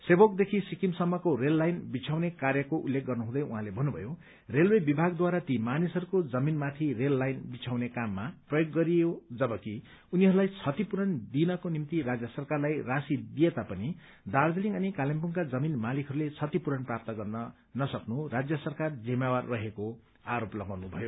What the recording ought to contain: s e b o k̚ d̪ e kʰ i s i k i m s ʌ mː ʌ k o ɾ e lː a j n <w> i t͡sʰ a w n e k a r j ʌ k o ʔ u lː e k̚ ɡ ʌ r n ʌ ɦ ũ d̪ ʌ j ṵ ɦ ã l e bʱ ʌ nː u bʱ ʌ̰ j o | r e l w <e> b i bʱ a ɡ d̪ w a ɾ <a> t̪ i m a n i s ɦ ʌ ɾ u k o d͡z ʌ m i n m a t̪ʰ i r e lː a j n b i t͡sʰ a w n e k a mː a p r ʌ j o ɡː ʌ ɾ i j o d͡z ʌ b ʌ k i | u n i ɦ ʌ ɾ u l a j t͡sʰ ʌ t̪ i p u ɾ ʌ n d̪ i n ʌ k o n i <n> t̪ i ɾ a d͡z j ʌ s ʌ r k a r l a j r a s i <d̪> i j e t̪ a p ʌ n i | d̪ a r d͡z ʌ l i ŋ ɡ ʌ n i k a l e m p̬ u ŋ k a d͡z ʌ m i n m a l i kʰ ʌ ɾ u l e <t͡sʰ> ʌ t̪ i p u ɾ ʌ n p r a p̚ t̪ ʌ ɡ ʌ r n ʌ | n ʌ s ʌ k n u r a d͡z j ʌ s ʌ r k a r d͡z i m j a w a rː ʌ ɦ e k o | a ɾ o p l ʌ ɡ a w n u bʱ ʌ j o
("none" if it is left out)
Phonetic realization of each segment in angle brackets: b, e, a, m, d̪, t͡sʰ

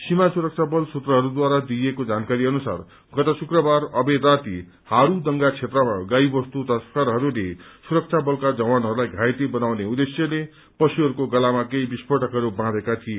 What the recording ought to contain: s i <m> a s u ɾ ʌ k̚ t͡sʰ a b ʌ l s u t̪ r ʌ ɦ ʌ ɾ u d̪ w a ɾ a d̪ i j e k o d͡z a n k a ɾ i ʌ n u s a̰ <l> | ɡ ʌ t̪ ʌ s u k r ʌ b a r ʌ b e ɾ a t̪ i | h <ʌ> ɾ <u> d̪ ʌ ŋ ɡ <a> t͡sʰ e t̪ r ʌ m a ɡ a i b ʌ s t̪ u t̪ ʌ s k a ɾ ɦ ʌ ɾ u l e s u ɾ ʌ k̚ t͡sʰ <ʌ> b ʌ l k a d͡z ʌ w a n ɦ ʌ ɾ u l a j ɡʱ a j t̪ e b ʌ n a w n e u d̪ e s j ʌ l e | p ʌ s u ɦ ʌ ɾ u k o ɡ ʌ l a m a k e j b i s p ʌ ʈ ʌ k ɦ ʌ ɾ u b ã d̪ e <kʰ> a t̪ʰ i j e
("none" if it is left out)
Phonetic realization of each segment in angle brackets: m, r, a, u, a, a, k

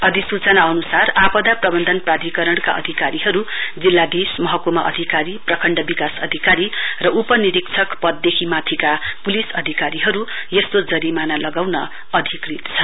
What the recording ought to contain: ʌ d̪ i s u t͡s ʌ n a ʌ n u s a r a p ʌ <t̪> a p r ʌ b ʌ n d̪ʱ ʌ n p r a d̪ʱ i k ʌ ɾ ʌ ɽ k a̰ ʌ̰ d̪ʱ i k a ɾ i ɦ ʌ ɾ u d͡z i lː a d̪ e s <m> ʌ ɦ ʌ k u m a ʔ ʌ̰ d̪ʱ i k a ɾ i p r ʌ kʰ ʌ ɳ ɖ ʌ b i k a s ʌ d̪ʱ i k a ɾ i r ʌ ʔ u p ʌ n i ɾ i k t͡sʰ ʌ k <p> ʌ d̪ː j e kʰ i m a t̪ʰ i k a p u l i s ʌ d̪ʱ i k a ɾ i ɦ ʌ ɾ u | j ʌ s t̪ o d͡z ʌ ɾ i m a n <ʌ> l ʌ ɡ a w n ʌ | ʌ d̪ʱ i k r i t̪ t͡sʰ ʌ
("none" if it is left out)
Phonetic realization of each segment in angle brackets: d̪, m, p, a

